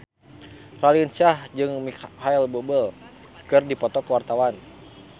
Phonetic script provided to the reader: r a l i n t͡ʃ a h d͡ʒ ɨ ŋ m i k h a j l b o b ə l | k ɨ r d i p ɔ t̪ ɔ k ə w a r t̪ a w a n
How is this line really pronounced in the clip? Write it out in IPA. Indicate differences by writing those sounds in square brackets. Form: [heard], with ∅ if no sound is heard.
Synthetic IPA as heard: r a l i n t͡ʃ a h d͡ʒ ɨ ŋ m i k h a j l b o b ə l | k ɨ r d i p ɔ t̪ ɔ k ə w a r t̪ a w a n